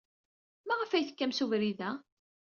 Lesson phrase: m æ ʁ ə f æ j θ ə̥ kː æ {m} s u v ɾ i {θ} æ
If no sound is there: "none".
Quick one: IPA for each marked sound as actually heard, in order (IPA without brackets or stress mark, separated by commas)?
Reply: m, ð